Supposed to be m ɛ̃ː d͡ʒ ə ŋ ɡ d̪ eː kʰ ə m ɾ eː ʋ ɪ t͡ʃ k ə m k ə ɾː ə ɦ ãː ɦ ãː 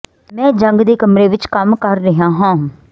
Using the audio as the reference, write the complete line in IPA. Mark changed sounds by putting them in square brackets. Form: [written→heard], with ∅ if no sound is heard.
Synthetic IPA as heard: m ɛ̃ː d͡ʒ ə ŋ ɡ d̪ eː [kʰ→k] ə m ɾ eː ʋ ɪ t͡ʃ k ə m k ə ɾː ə ɦ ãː ɦ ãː